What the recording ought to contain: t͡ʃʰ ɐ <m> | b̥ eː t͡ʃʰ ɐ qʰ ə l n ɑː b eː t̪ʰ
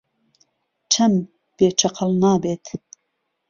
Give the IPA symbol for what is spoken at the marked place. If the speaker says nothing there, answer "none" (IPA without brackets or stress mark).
m